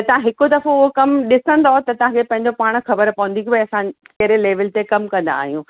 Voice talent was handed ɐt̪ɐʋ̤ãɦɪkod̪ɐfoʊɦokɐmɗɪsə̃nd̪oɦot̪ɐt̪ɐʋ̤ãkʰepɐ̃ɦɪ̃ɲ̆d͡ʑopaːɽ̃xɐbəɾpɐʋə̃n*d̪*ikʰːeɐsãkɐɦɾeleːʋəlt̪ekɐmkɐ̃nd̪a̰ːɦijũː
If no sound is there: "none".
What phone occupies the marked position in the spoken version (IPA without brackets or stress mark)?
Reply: d̪